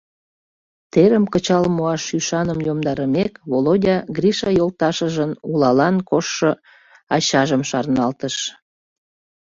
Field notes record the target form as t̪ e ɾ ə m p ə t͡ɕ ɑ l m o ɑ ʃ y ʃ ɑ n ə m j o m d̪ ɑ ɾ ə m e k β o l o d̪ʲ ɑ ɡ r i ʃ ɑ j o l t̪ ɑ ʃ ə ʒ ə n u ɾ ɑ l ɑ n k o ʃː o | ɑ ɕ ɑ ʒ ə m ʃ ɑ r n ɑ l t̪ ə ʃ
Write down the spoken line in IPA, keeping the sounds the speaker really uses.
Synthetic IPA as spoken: t̪ e ɾ ə m k ə t͡ɕ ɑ l m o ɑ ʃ y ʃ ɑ n ə m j o m d̪ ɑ ɾ ə m e k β o l o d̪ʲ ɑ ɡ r i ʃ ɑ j o l t̪ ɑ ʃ ə ʒ ə n u l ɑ l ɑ n k o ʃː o | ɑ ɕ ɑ ʒ ə m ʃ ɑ r n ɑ l t̪ ə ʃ